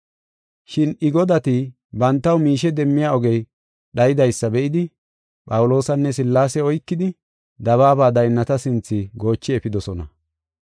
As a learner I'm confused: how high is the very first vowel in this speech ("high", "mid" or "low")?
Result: high